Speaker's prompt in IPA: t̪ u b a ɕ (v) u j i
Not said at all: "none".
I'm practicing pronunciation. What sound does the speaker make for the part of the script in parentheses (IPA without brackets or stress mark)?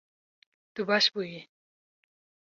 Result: b